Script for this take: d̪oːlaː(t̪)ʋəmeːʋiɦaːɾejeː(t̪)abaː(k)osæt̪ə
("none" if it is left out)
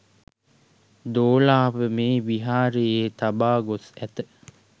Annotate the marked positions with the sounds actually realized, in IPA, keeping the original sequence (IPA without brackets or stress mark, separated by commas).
none, t̪, ɡ